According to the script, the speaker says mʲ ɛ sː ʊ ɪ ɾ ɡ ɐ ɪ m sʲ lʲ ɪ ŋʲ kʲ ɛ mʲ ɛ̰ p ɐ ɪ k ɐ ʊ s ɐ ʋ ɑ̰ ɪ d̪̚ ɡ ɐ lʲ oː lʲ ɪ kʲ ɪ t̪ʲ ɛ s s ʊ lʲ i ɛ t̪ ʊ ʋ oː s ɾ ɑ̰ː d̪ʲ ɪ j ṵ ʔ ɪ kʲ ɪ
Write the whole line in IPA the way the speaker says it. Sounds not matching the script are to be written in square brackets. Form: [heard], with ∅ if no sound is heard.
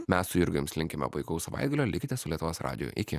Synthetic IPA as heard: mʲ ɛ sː ʊ ɪ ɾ ɡ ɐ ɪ m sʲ lʲ ɪ ŋʲ kʲ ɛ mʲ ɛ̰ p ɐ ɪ k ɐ ʊ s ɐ ʋ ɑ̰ ɪ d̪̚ ɡ ɐ lʲ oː lʲ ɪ kʲ ɪ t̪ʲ ɛ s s ʊ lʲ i ɛ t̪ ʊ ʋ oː s ɾ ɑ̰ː d̪ʲ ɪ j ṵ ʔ ɪ kʲ ɪ